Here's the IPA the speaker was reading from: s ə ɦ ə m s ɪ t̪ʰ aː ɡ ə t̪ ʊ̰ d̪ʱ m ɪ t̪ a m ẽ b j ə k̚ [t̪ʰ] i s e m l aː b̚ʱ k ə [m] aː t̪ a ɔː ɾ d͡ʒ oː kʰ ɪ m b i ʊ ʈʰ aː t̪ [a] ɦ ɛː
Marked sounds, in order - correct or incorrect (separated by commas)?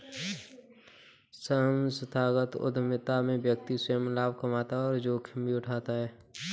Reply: incorrect, correct, correct